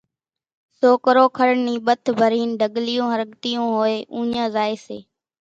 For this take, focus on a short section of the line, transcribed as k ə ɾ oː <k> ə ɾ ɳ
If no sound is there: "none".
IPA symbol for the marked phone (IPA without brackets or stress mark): kʰ